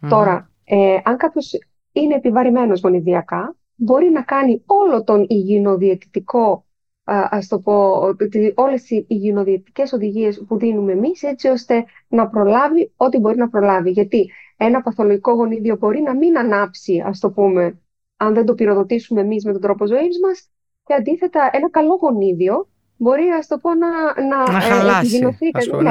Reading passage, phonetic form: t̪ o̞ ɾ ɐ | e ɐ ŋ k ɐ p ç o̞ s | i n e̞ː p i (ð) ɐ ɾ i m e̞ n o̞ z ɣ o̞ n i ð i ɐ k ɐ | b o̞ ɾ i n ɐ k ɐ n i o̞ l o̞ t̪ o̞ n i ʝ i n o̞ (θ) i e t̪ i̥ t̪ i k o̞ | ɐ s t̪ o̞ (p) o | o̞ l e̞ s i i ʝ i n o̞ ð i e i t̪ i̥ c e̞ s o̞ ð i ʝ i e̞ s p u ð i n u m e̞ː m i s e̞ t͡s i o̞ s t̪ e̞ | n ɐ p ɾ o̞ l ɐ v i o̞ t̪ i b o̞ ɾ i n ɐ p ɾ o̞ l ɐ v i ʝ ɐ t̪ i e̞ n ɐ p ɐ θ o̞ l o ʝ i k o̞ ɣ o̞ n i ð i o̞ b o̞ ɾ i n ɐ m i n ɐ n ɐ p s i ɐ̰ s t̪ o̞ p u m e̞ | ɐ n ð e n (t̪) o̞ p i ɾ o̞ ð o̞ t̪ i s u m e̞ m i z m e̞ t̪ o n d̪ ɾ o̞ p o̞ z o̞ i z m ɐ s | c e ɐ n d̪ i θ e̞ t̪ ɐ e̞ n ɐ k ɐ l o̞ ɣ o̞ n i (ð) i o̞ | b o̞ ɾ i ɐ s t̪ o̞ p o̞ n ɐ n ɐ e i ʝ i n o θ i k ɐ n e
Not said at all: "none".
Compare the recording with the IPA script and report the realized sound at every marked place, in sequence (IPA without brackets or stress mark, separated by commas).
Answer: v, ð, p, d̪, ð